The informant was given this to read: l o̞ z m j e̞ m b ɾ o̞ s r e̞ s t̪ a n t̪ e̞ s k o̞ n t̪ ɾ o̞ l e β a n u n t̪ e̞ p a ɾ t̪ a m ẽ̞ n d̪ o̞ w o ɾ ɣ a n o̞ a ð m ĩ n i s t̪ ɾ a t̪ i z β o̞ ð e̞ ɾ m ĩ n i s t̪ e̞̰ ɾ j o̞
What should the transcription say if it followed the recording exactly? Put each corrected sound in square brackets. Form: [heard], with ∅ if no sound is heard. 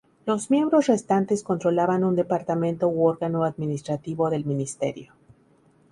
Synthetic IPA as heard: l o̞ z m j e̞ m b ɾ o̞ s r e̞ s t̪ a n t̪ e̞ s k o̞ n t̪ ɾ o̞ l [a] β a n u n [d̪] e̞ p a ɾ t̪ a m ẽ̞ n [t̪] o̞ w o ɾ ɣ a n o̞ a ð m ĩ n i s t̪ ɾ a t̪ i [∅] β o̞ ð e̞ [l] m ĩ n i s t̪ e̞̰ ɾ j o̞